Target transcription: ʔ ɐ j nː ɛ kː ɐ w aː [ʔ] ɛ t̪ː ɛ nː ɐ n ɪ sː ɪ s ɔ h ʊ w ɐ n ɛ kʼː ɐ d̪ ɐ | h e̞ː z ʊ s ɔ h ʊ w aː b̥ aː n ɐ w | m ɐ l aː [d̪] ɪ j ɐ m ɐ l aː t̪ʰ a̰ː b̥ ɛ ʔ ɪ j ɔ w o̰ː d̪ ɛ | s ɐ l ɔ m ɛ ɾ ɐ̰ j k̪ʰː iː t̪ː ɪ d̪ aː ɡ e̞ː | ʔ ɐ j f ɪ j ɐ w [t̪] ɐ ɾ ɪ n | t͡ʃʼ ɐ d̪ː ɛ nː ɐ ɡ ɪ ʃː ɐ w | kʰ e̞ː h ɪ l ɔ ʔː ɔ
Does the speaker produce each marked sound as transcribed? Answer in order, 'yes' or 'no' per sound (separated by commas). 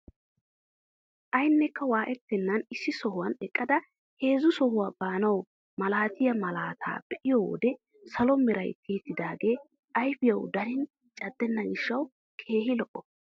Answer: yes, no, no